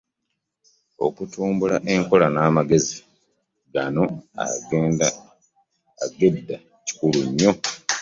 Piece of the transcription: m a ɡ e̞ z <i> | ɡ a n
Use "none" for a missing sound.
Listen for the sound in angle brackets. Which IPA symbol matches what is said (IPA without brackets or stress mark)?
i